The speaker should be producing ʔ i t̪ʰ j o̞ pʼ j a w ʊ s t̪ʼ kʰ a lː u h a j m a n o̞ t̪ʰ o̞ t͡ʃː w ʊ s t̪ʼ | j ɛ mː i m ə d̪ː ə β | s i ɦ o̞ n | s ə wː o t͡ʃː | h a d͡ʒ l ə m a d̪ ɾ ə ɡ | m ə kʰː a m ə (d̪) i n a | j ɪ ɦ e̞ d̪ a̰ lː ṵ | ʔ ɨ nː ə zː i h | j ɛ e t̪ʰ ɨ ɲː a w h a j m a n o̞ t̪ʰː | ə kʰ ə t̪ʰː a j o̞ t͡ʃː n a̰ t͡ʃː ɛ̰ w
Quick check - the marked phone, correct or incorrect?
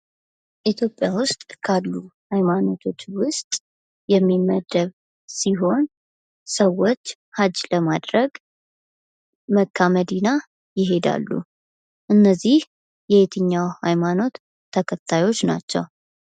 correct